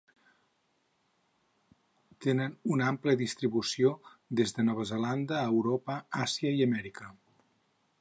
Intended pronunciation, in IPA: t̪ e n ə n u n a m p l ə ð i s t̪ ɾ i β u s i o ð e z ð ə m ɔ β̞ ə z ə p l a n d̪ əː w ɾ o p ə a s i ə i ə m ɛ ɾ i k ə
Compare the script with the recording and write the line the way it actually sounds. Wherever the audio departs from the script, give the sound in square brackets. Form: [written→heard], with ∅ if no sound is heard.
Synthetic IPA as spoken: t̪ e n ə n u n a m p l ə ð i s t̪ ɾ i β u s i o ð e z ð ə [m→n] ɔ β̞ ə z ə [p→∅] l a n d̪ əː w ɾ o p ə a s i ə i ə m ɛ ɾ i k ə